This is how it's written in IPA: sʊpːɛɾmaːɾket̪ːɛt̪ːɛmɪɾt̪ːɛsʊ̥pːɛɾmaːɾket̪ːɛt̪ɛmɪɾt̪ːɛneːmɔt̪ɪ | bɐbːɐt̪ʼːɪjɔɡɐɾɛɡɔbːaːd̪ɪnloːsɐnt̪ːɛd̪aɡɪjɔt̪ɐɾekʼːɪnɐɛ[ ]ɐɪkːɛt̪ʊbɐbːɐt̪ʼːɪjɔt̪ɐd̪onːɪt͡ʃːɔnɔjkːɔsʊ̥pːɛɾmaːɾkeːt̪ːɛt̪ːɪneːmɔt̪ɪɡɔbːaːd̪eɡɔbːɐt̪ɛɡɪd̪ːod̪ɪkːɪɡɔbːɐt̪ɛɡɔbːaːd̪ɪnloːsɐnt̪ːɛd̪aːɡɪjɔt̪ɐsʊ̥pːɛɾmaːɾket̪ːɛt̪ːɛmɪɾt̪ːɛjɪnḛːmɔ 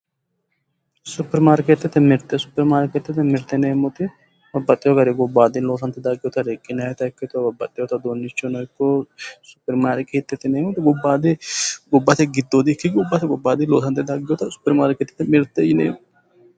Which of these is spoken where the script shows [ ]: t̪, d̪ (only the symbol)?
t̪